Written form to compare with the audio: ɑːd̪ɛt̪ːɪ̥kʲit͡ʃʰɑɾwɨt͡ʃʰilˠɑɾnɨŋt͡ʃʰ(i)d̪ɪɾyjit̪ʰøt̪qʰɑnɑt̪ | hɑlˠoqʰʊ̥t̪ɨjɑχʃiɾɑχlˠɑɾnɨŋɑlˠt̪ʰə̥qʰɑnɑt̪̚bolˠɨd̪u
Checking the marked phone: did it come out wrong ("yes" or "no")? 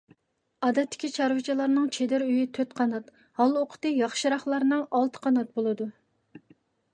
yes